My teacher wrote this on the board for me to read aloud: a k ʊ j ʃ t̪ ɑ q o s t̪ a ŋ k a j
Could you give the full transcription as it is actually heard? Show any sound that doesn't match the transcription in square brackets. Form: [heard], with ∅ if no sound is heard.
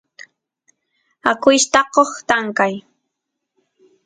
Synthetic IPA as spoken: a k ʊ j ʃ t̪ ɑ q o [χ] t̪ a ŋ k a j